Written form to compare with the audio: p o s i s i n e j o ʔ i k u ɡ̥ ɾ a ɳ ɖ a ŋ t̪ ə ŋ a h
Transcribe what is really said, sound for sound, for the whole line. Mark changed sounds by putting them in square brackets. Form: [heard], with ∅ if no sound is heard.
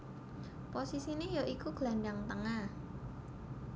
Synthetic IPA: p o s i s i n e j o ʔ i k u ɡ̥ [l] a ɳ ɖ a ŋ t̪ ə ŋ a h